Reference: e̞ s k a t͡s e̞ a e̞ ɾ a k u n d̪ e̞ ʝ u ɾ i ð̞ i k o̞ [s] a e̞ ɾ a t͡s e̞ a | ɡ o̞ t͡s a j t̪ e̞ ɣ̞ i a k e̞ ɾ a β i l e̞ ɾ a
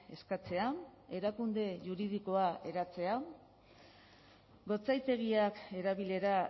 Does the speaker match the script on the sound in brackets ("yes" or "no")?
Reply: no